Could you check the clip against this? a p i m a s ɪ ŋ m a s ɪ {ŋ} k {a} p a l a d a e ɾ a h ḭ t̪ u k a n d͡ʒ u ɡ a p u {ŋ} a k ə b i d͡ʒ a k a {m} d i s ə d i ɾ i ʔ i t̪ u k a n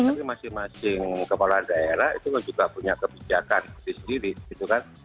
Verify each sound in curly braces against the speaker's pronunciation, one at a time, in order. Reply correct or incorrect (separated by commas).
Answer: correct, incorrect, incorrect, incorrect